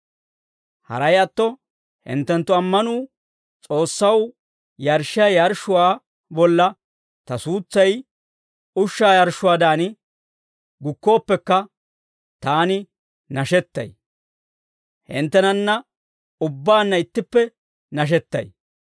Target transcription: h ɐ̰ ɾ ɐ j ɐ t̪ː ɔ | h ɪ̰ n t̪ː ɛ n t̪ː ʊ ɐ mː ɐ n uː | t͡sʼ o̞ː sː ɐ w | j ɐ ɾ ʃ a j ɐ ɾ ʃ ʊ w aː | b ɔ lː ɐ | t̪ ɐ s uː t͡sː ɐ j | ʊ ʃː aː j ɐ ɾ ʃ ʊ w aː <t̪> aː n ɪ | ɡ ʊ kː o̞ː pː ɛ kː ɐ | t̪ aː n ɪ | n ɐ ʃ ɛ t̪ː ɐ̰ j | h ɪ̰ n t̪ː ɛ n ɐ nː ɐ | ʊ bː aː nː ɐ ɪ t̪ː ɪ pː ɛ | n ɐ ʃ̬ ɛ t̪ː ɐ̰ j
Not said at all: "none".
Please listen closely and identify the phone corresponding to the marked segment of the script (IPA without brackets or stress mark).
d̪